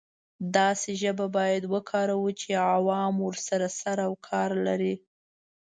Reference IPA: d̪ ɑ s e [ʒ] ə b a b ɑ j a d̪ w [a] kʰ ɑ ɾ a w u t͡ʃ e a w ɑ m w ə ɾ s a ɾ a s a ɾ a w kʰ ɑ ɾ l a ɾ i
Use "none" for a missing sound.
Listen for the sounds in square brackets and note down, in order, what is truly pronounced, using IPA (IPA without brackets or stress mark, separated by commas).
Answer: ʒ, ə